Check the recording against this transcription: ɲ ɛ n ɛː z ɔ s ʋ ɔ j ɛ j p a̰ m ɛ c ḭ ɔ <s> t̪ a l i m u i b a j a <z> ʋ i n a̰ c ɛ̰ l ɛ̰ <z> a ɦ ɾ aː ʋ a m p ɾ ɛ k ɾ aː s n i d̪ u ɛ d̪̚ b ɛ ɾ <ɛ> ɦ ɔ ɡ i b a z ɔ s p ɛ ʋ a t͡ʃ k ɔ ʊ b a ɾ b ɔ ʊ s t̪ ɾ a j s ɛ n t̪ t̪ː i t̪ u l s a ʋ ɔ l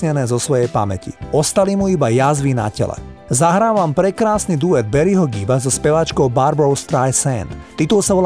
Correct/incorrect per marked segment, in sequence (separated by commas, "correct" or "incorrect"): correct, correct, correct, incorrect